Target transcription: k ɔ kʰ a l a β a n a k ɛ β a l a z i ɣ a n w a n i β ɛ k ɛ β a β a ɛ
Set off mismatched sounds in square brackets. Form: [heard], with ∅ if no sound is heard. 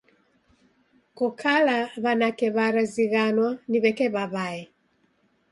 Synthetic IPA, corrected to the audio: k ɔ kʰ a l a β a n a k ɛ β a [ɾ] a z i ɣ a n w a n i β ɛ k ɛ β a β a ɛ